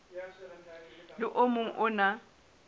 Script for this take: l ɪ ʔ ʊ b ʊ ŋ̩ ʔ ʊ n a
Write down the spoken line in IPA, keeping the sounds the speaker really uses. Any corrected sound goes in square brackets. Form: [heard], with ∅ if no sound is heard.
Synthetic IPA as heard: l ɪ ʔ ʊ [m] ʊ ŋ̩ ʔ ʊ n a